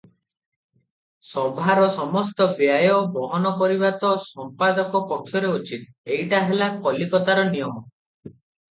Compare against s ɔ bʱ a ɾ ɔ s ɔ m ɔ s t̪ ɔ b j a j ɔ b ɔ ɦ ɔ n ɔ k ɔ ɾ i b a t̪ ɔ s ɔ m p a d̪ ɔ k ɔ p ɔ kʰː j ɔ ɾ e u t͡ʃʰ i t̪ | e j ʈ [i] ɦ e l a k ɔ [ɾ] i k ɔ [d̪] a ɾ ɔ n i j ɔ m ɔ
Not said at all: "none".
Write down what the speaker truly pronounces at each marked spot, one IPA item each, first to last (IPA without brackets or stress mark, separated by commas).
a, l, t̪